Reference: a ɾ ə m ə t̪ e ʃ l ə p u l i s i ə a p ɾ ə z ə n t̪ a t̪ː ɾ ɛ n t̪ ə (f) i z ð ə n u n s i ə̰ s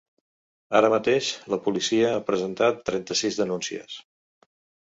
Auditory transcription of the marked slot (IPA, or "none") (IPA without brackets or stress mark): s